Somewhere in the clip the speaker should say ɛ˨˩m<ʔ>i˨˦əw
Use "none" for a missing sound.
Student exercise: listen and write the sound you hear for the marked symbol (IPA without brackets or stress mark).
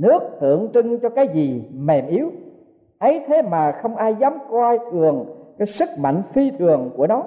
ʔ